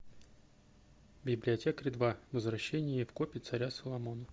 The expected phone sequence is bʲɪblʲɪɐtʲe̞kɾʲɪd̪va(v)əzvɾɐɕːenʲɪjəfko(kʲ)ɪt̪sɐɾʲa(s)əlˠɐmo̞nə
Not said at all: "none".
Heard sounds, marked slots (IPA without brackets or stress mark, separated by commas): v, pʲ, s